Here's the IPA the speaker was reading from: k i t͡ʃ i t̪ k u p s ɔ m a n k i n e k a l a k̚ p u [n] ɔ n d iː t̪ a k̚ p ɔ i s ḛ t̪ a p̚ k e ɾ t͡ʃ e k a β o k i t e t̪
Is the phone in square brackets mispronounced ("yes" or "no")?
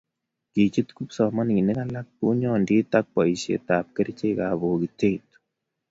yes